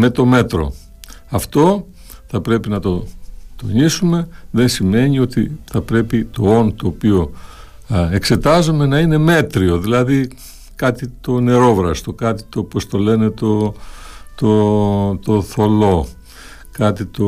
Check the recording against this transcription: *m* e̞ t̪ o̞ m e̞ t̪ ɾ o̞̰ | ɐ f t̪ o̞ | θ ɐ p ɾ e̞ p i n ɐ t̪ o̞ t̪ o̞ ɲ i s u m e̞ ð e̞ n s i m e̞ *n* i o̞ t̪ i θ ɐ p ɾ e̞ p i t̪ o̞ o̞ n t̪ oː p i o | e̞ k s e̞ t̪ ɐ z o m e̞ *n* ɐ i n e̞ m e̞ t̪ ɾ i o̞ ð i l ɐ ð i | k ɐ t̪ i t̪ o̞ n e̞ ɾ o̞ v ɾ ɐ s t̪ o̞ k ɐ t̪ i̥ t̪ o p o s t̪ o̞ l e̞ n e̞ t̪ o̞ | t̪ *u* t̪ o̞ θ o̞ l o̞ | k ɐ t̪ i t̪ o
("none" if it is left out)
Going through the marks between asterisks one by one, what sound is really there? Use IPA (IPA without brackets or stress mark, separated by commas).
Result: m, ɲ, n, o